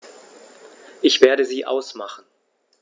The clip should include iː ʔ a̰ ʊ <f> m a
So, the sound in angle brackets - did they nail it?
no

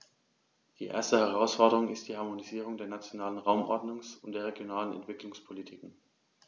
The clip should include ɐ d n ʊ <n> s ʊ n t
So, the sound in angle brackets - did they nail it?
no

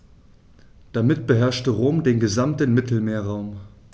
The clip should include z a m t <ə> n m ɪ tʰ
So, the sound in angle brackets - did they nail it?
yes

